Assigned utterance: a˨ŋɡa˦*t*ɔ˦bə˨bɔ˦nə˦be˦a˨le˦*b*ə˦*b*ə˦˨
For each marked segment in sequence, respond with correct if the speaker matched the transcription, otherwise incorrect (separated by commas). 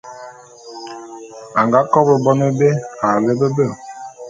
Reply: incorrect, correct, correct